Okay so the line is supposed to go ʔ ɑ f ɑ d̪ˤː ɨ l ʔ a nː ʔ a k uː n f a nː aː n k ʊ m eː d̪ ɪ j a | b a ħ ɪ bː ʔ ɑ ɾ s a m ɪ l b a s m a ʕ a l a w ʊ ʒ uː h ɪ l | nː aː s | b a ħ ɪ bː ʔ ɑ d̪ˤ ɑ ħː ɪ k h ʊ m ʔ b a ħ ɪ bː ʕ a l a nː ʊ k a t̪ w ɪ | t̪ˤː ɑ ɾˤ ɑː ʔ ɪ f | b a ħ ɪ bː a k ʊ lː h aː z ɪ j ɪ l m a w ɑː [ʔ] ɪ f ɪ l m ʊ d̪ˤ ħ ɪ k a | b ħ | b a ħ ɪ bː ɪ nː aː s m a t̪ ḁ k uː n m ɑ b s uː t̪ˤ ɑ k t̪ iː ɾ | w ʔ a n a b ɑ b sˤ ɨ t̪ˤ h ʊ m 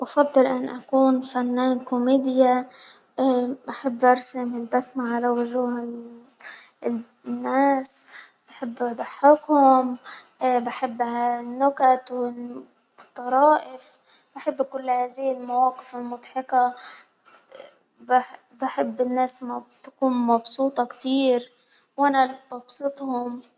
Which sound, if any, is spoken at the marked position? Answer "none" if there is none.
q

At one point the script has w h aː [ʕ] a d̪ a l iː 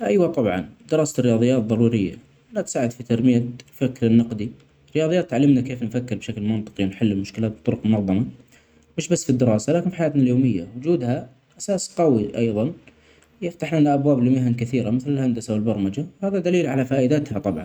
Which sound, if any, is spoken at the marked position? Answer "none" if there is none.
ð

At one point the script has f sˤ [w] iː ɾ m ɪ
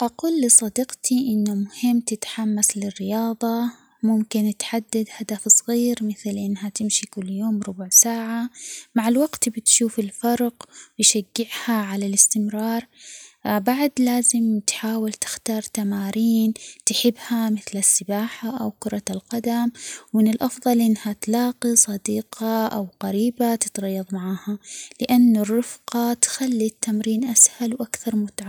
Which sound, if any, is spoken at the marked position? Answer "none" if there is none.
ɣ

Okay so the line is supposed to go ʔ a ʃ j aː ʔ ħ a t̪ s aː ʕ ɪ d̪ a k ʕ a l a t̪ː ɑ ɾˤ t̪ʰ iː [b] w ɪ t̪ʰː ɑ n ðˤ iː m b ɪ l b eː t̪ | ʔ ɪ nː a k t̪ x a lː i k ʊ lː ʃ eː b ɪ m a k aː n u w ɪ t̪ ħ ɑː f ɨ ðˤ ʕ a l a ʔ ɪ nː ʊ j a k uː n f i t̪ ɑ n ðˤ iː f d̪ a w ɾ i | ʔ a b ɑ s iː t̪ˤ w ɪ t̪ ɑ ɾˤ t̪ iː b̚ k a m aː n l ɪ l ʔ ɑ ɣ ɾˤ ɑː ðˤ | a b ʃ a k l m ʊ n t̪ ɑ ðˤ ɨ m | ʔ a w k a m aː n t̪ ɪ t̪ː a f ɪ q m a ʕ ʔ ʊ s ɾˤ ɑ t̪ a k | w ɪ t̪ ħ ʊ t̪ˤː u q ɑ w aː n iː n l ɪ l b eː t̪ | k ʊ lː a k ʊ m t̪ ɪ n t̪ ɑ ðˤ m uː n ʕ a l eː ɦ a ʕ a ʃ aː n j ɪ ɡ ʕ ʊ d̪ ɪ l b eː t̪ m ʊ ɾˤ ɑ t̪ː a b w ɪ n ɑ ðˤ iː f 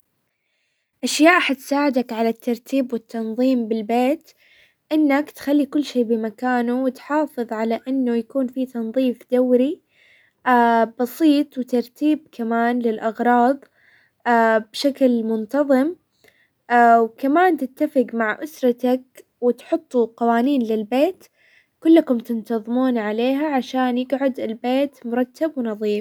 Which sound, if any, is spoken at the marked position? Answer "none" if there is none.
b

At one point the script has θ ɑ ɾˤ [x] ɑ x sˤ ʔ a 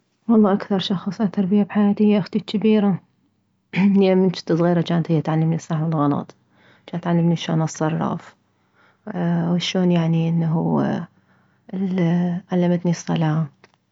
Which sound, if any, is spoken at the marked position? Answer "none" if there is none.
ʃ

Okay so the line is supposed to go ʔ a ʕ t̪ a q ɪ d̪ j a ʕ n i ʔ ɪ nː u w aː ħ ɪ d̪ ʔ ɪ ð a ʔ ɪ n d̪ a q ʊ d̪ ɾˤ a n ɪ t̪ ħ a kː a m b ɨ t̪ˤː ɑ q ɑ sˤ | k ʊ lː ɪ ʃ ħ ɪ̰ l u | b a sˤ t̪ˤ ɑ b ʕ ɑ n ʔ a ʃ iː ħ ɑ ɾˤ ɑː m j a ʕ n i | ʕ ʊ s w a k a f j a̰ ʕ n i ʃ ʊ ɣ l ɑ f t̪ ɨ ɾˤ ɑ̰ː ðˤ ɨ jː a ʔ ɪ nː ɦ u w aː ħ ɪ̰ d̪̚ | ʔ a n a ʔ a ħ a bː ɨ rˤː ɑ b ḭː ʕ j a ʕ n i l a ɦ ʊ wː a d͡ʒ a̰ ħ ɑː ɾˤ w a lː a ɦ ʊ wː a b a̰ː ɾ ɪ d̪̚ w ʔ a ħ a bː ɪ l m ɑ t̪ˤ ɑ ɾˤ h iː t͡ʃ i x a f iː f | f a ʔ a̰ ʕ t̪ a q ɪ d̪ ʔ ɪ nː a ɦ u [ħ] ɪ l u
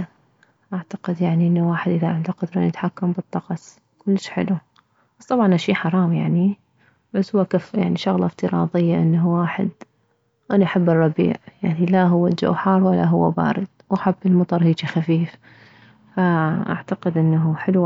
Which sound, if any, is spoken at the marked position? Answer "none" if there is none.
ħ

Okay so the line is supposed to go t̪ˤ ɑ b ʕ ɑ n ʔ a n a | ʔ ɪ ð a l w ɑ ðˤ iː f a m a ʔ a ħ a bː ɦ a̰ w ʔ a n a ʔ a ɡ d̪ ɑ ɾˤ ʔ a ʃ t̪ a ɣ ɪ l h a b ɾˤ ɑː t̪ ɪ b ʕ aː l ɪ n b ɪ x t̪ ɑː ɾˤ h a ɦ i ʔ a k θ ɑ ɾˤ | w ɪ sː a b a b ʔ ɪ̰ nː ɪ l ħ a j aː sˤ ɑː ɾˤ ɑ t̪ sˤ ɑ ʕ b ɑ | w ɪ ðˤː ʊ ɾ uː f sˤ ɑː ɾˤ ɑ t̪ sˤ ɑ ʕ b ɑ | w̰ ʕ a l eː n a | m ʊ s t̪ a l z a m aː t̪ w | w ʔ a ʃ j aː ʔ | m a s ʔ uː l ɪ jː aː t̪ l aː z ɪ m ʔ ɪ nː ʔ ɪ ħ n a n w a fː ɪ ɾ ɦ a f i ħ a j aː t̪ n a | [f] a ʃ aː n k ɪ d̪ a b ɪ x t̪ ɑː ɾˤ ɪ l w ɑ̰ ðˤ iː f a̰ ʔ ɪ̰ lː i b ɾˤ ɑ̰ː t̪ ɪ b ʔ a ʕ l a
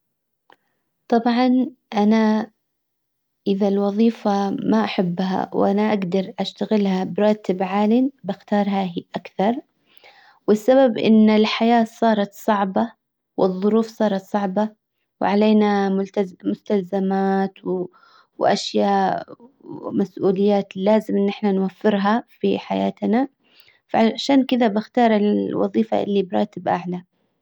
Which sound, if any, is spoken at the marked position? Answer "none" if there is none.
f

